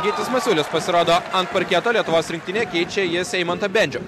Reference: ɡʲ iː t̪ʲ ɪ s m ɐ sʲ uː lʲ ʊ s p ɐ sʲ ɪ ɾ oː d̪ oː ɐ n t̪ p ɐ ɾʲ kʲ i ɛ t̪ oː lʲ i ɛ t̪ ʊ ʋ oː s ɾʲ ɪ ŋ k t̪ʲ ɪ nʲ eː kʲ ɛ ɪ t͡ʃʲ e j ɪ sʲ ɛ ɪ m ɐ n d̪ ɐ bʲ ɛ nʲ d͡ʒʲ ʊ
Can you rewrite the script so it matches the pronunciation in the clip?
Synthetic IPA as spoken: ɡʲ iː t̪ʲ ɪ s m ɐ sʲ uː lʲ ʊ s p ɐ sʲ ɪ ɾ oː d̪ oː ɐ n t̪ p ɐ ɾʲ kʲ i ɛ t̪ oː lʲ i ɛ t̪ ʊ ʋ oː s ɾʲ ɪ ŋ k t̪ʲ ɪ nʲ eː kʲ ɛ ɪ t͡ʃʲ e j ɪ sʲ ɛ ɪ m ɐ n t̪ ɐ bʲ ɛ nʲ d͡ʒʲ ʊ